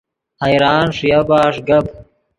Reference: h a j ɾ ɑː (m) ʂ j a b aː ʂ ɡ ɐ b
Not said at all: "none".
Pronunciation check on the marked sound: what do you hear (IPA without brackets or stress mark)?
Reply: n